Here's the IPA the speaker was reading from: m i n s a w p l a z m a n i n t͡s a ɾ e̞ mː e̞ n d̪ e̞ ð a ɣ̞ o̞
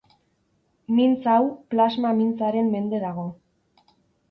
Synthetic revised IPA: m i n t͡s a w p l a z m a m i n t͡s a ɾ e̞ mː e̞ n d̪ e̞ ð a ɣ̞ o̞